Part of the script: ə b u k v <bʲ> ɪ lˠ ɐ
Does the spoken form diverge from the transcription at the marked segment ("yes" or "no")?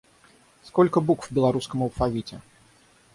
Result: no